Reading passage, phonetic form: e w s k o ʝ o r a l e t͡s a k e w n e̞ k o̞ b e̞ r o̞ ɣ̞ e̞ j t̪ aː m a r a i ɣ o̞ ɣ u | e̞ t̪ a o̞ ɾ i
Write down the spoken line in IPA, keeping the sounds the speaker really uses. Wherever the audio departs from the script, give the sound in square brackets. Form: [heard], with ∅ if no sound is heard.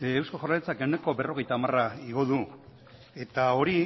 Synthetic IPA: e w s k o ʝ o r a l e t͡s a k e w n e̞ k o̞ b e̞ r o̞ ɣ̞ e̞ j t̪ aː m a r a i ɣ o̞ [ð] u | e̞ t̪ a o̞ ɾ i